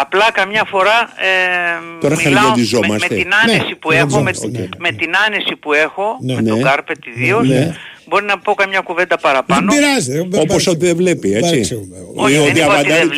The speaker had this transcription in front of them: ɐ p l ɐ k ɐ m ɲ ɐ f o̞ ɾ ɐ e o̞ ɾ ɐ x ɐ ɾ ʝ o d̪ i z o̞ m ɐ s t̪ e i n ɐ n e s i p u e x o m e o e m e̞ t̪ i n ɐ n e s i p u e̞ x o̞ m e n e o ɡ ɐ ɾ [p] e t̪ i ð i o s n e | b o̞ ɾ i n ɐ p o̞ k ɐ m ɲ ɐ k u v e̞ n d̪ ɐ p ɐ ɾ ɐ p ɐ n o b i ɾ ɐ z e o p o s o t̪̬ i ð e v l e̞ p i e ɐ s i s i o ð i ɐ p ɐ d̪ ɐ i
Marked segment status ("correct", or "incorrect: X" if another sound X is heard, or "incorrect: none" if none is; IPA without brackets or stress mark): correct